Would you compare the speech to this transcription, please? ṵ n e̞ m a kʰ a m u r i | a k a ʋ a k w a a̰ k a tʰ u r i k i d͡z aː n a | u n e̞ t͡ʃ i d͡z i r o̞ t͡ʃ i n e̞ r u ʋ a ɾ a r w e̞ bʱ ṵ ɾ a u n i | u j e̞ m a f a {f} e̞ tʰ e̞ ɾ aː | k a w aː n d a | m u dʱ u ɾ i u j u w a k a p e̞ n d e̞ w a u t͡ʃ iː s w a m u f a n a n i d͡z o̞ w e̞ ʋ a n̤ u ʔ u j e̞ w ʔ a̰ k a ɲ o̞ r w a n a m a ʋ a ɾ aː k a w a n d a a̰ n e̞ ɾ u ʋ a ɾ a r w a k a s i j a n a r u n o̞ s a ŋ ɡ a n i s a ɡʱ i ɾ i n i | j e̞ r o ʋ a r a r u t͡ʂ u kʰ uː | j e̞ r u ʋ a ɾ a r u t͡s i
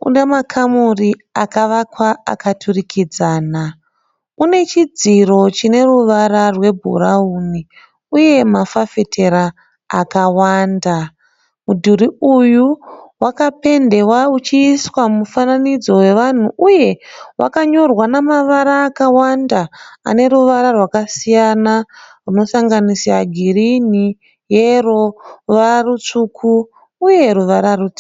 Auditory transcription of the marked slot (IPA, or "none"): f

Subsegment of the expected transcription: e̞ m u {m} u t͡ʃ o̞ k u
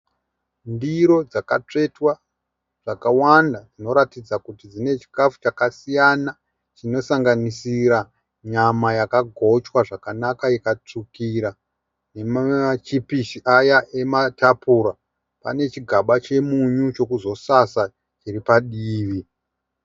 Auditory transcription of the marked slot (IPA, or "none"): ɲ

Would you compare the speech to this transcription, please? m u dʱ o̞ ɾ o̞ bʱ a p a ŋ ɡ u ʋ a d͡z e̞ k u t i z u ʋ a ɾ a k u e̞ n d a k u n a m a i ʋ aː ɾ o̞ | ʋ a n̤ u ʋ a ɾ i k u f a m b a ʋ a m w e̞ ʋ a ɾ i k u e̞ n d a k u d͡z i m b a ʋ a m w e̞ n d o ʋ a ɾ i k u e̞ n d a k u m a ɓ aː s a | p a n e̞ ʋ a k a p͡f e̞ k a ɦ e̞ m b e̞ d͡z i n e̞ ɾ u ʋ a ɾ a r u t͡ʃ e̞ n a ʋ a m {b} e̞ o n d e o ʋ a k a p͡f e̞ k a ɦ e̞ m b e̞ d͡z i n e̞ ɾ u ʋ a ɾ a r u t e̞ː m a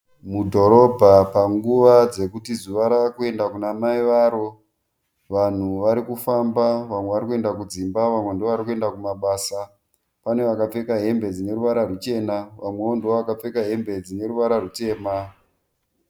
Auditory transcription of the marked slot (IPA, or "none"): w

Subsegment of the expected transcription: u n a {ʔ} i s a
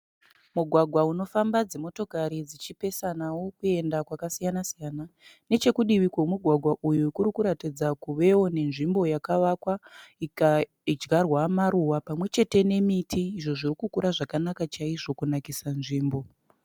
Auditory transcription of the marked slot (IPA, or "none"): k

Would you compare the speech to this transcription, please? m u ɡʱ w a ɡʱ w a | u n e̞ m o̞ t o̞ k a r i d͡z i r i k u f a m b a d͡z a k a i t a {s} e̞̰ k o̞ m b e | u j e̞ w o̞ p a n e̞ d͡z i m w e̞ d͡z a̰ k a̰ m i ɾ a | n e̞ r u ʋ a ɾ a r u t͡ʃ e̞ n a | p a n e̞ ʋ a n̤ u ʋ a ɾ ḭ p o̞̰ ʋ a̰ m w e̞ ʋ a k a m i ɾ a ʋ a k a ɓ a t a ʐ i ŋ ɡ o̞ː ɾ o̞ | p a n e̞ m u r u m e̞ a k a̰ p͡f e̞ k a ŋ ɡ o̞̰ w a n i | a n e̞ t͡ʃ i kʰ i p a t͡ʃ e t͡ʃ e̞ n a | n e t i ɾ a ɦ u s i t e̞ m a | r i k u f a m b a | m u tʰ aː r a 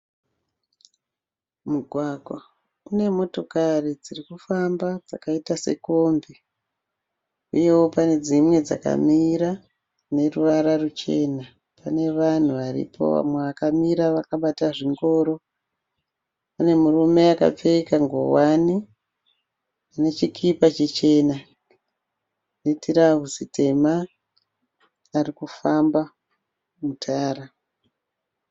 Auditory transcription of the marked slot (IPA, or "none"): s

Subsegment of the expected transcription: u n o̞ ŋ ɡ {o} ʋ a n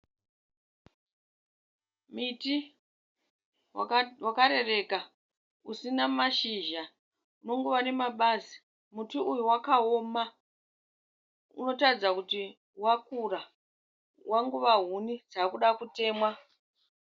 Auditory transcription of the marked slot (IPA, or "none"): u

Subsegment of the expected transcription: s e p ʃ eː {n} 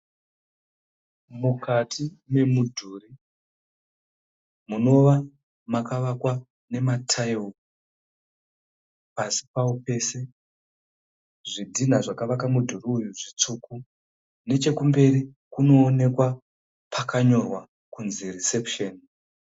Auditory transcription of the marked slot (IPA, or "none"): n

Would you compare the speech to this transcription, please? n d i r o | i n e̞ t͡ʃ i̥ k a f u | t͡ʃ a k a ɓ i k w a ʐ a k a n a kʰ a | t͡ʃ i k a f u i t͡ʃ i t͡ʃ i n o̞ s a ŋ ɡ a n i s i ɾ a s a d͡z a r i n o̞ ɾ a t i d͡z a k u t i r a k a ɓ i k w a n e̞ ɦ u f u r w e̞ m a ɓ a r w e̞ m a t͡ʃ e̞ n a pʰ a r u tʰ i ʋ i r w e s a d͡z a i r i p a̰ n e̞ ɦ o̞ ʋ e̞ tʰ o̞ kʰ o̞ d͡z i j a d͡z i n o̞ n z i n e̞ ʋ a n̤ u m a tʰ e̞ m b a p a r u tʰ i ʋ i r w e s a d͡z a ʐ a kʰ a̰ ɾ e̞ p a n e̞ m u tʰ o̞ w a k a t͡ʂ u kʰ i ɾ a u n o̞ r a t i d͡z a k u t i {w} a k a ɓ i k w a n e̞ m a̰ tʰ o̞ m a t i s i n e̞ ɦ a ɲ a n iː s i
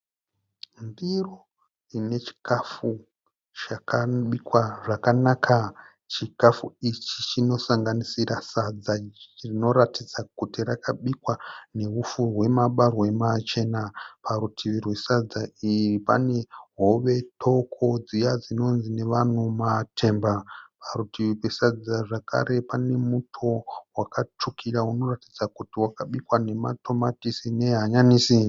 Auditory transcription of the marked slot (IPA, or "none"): w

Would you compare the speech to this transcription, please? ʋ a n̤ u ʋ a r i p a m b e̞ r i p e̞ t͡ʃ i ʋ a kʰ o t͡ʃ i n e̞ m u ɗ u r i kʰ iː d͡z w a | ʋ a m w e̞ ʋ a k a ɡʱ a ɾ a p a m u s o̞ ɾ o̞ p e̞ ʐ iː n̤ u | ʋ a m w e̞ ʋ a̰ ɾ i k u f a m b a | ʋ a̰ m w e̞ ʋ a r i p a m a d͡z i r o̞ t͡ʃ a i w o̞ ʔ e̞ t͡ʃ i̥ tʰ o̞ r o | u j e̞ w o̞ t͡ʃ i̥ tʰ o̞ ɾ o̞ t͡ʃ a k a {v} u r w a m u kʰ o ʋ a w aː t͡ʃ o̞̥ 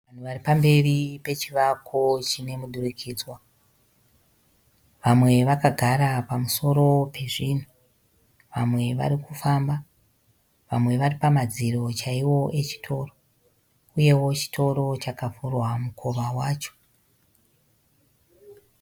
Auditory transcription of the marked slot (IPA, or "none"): f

